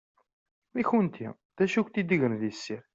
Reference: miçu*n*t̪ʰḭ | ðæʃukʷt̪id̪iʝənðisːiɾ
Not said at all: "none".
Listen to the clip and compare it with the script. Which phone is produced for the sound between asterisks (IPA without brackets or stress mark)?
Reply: n